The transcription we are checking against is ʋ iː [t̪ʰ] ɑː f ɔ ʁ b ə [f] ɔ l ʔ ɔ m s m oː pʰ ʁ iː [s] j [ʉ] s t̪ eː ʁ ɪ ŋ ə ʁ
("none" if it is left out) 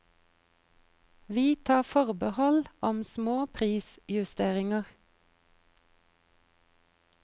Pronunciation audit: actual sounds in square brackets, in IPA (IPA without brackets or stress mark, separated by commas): t̪ʰ, h, s, ʉ